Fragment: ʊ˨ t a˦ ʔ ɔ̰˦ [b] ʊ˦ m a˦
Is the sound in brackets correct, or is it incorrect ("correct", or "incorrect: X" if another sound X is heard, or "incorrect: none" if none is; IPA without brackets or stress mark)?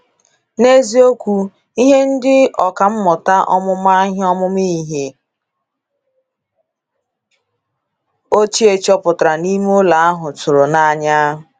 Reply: incorrect: m